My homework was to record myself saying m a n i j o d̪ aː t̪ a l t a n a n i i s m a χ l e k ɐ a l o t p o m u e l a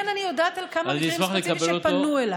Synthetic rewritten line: n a n i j o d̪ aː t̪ a l k a m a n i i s m a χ l e k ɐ e l o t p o n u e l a